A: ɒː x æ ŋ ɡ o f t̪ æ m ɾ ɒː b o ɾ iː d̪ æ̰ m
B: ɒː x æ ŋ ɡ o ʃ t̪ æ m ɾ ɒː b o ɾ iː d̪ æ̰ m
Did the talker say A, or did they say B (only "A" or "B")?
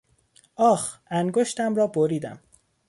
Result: B